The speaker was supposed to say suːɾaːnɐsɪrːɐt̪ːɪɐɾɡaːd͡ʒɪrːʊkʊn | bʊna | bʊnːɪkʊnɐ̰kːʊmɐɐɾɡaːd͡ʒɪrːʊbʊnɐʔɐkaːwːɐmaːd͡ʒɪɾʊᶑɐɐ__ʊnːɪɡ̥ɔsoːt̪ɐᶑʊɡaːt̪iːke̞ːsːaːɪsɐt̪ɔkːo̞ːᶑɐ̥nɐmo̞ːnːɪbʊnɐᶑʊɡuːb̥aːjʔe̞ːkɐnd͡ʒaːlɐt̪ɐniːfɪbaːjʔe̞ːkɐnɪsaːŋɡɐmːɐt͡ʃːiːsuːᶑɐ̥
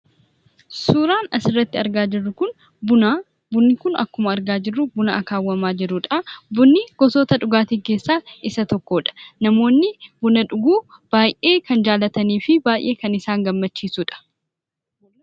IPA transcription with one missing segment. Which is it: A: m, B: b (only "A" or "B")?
B